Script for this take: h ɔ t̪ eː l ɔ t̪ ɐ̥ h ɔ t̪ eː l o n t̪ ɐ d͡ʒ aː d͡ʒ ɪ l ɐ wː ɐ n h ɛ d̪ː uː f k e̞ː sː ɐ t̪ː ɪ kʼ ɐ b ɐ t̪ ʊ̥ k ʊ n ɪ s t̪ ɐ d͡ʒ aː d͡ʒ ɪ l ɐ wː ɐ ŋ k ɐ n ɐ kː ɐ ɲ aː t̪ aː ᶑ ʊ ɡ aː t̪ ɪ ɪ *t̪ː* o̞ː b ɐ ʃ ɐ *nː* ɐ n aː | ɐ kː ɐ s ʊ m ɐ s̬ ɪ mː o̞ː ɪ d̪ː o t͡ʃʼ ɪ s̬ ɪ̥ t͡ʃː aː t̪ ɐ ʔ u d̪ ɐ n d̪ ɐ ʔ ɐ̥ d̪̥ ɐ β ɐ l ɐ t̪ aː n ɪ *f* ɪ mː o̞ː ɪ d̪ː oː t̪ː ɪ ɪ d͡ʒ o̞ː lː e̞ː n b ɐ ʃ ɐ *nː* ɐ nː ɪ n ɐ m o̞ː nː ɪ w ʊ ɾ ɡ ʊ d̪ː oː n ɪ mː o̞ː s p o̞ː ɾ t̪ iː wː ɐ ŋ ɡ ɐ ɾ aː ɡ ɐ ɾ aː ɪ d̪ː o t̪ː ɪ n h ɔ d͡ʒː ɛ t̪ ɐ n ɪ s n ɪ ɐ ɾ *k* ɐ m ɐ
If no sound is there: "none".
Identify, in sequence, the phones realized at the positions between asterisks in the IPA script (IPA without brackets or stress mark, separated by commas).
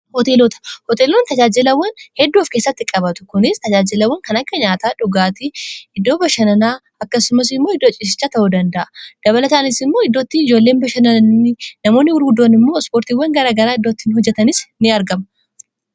d̪ː, n, s, n, ɡ